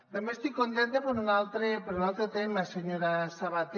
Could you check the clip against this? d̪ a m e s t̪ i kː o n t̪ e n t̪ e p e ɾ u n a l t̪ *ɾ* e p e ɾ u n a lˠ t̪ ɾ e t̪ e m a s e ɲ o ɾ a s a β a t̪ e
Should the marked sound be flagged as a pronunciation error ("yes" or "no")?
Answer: no